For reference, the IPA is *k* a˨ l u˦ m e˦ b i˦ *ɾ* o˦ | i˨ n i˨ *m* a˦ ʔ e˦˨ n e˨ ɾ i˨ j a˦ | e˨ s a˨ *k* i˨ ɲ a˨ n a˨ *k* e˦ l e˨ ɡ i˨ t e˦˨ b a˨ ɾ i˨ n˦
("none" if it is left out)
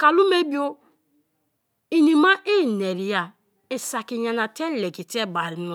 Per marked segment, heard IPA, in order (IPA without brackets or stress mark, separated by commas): k, none, m, k, t